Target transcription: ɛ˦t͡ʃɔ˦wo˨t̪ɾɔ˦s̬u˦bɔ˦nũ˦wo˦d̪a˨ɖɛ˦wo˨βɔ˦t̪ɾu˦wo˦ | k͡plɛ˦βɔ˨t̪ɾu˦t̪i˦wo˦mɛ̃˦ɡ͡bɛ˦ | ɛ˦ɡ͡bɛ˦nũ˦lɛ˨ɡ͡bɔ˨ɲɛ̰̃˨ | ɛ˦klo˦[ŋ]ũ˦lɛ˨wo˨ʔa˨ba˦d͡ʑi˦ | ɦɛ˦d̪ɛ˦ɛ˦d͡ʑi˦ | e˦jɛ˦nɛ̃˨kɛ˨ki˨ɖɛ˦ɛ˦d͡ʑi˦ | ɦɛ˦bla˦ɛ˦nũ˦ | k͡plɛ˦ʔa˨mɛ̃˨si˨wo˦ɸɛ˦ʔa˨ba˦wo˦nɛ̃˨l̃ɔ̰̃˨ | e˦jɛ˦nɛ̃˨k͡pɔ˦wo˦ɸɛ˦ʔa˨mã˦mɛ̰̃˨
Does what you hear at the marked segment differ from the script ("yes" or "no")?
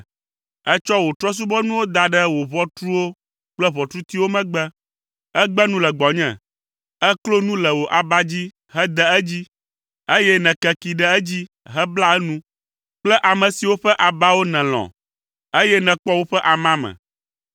yes